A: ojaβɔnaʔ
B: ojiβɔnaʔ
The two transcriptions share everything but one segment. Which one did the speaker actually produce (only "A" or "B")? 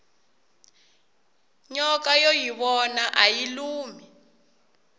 B